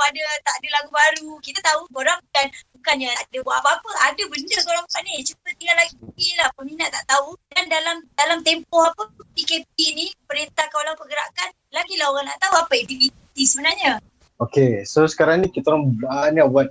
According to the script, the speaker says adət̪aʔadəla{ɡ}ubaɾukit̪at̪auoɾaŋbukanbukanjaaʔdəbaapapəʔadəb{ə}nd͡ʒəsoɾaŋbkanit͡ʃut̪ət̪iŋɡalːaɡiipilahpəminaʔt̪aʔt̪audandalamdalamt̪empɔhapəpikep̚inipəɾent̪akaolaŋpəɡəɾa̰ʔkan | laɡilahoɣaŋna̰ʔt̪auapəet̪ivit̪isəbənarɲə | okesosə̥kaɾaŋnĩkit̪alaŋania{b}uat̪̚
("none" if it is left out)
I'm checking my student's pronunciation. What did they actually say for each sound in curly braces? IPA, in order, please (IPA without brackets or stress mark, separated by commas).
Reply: ɡ, ə, b